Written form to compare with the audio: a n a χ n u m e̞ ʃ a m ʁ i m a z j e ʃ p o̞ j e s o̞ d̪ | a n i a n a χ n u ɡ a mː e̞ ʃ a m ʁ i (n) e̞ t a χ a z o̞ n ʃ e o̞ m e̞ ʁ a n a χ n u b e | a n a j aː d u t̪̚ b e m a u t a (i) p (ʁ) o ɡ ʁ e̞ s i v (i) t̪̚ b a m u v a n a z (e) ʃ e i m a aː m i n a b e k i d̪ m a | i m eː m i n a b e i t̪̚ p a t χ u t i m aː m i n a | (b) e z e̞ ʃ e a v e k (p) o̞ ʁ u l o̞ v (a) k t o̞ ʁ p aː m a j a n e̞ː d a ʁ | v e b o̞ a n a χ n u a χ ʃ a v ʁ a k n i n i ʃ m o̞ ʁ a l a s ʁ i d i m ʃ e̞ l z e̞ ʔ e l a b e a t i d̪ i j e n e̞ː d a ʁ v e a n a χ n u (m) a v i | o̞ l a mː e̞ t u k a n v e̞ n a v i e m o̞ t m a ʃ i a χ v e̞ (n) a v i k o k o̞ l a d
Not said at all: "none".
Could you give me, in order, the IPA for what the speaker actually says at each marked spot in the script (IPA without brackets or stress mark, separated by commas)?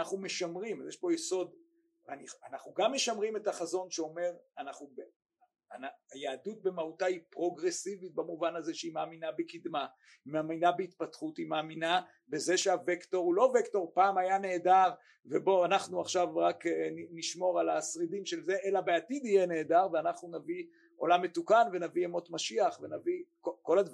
m, i, ʁ, i, e, b, t, e, n, n